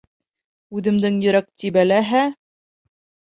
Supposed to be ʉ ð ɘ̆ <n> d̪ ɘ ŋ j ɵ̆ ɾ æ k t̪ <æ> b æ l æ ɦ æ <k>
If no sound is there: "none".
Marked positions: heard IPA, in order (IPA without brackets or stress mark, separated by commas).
m, i, none